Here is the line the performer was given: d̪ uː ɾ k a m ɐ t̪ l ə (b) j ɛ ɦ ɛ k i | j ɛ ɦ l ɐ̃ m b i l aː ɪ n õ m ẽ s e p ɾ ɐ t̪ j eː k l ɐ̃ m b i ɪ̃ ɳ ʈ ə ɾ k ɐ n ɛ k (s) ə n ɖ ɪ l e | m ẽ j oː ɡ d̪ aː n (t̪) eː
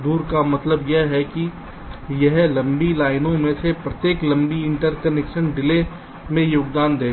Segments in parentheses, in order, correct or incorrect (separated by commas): correct, incorrect, incorrect